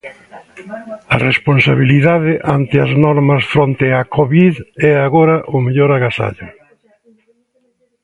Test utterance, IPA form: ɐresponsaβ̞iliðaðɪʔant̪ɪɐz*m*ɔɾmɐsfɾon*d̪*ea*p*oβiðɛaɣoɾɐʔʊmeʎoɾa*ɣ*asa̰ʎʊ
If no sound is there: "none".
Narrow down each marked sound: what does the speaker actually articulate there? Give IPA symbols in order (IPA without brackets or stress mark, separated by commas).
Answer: n, t̪, k, ɣ